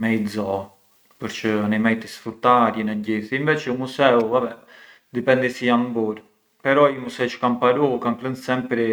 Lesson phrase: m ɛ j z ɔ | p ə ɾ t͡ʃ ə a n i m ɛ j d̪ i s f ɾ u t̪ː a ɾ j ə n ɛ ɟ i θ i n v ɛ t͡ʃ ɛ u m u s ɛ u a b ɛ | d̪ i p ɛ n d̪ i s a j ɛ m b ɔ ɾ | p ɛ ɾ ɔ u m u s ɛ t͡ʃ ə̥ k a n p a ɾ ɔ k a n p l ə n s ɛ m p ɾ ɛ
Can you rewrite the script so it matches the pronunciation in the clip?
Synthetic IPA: m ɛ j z ɔ | p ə ɾ t͡ʃ ə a n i m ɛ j t̪ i s f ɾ u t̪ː a ɾ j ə n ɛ ɟ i θ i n v ɛ t͡ʃ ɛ u m u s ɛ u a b ɛ | d̪ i p ɛ n d̪ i s i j a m b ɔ ɾ | p ɛ ɾ ɔ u m u s ɛ t͡ʃ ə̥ k a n p a ɾ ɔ k a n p l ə n s ɛ m p ɾ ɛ